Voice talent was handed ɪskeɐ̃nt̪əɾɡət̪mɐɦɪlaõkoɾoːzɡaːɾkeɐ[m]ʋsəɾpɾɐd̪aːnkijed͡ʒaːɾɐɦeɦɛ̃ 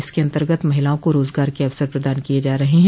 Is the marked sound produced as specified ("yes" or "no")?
no